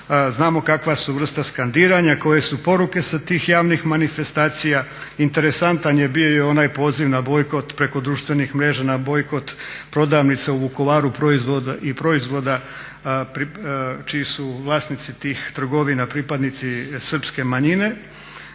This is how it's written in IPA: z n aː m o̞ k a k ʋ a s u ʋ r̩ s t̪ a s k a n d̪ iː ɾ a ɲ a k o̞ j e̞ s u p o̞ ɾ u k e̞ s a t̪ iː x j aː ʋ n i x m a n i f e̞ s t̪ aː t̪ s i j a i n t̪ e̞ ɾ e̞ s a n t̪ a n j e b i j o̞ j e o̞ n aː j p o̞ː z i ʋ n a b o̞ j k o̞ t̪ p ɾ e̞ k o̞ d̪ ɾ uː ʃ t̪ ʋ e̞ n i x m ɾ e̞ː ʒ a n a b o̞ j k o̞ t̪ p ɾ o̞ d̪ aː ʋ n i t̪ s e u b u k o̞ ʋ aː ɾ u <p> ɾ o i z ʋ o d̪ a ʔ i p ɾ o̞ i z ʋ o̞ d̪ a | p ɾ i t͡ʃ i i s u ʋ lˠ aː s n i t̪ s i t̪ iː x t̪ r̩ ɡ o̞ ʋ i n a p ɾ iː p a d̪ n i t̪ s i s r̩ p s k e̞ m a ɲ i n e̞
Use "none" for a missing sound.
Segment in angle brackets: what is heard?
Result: p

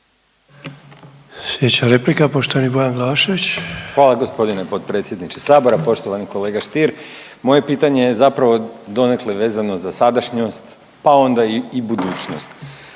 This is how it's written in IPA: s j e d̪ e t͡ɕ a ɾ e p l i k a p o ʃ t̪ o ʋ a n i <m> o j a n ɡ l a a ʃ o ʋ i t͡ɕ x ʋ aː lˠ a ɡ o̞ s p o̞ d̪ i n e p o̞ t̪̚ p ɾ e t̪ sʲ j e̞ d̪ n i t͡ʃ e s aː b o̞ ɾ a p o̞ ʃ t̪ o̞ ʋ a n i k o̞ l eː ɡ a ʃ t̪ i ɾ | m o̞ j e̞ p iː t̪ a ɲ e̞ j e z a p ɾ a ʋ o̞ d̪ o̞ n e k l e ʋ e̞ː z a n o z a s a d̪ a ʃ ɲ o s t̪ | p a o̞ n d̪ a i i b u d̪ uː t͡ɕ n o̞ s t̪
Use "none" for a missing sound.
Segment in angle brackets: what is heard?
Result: b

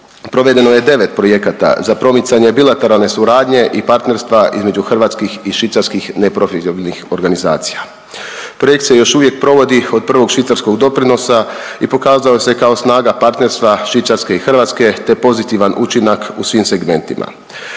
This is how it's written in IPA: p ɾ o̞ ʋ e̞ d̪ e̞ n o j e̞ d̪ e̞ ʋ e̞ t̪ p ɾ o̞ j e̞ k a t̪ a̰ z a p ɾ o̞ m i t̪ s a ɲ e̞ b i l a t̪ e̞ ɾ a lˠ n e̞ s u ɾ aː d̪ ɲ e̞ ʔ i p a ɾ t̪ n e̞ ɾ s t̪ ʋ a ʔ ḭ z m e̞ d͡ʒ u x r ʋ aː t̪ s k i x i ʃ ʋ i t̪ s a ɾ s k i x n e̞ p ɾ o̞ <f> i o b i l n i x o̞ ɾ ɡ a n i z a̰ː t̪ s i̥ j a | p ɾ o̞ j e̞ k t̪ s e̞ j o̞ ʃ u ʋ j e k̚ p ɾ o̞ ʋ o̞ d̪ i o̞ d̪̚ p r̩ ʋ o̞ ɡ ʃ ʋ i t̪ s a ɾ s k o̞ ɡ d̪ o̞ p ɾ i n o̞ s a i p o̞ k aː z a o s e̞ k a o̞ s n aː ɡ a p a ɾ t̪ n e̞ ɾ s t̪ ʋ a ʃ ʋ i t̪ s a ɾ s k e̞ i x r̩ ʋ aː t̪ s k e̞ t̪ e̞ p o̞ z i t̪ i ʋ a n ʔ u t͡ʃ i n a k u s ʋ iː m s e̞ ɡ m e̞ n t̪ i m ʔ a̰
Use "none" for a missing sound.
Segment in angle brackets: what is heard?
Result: f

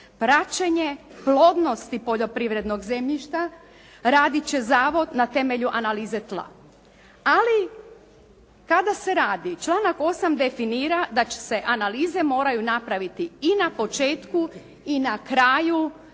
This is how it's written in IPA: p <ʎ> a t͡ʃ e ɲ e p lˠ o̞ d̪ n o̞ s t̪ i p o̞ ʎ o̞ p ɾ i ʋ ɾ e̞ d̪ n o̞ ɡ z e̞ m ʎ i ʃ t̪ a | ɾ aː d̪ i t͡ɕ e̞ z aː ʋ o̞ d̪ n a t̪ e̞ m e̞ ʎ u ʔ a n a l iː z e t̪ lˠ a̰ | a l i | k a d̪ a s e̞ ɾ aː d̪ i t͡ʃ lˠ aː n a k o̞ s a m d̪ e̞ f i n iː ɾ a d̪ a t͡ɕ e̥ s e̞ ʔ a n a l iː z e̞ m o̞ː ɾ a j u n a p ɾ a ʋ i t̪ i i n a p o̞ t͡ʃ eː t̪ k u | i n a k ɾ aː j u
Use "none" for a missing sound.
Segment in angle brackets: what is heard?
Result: ɾ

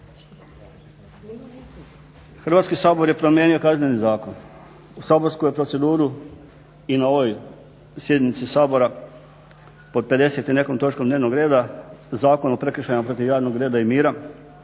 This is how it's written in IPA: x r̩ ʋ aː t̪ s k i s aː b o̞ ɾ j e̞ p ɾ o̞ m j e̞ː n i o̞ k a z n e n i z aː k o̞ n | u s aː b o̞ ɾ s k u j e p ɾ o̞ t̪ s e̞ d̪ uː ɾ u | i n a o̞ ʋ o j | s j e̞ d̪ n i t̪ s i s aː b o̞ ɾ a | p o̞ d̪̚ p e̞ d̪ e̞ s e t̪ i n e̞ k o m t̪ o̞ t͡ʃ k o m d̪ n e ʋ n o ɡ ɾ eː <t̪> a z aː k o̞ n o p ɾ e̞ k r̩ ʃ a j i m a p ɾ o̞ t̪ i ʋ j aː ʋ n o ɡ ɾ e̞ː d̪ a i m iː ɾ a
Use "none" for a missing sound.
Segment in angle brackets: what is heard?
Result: d̪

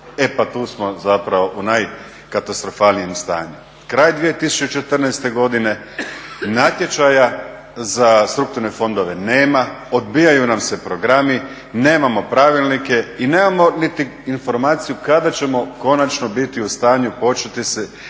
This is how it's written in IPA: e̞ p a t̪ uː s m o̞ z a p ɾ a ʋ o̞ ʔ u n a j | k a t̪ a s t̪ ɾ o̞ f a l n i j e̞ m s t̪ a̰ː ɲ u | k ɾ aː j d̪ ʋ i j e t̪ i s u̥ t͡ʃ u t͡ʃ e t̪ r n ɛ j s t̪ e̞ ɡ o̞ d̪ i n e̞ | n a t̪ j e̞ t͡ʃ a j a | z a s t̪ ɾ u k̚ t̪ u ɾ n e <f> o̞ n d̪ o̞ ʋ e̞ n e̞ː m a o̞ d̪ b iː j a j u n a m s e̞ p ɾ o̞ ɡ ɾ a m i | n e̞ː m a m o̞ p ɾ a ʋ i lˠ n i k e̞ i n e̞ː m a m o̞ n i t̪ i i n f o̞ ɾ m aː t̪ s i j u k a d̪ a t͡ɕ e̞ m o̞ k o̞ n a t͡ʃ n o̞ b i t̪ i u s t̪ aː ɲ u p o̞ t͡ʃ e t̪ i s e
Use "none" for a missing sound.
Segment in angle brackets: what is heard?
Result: f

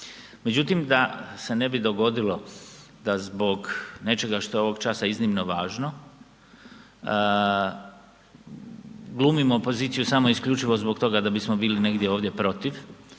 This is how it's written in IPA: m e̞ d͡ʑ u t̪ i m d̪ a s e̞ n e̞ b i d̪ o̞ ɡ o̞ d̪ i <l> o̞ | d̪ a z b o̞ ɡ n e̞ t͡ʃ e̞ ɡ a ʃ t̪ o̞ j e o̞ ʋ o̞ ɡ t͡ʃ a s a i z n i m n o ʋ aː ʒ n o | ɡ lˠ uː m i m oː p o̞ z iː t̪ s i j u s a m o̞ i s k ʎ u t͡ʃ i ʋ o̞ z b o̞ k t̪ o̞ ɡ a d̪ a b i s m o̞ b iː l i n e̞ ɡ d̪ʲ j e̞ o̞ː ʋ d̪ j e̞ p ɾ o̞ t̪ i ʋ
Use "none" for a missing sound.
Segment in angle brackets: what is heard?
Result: l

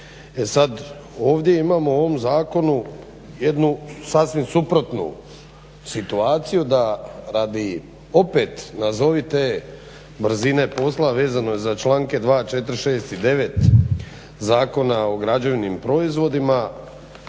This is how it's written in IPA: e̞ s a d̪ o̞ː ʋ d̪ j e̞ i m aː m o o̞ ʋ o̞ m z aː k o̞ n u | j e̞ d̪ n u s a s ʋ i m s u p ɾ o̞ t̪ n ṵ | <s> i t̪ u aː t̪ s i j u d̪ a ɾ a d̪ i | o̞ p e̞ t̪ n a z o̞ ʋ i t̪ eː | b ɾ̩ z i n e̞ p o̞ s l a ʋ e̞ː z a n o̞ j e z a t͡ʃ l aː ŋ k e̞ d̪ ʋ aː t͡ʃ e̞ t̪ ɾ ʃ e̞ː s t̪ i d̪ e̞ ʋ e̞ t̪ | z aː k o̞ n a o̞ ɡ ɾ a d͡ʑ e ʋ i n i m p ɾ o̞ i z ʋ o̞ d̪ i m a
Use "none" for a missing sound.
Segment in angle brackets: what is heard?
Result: s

